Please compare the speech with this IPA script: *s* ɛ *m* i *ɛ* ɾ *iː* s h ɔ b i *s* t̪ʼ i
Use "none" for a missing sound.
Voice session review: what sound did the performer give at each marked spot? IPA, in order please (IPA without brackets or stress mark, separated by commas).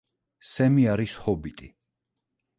s, m, a, i, none